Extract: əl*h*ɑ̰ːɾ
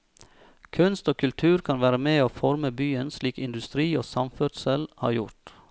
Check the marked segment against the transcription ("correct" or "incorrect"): correct